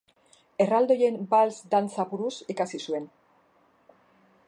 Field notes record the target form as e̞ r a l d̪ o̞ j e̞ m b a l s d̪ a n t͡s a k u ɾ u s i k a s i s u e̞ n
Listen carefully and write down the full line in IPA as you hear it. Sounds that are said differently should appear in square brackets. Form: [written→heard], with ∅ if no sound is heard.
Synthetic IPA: e̞ r a l d̪ o̞ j e̞ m b a l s d̪ a n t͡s a [k→p] u ɾ u s i k a s i s u e̞ n